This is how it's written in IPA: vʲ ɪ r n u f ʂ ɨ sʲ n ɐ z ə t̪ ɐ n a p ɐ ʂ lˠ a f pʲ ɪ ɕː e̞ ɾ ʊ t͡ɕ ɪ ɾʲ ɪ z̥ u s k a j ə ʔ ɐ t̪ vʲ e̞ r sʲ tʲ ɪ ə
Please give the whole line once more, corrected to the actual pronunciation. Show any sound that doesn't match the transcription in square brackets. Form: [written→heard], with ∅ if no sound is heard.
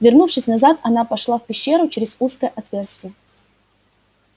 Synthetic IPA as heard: vʲ ɪ r n u f ʂ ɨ sʲ n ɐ z [ə→a] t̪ ɐ n a p ɐ ʂ lˠ a f pʲ ɪ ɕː e̞ ɾ ʊ t͡ɕ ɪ ɾʲ ɪ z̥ u s k [a→ə] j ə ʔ ɐ t̪ vʲ e̞ r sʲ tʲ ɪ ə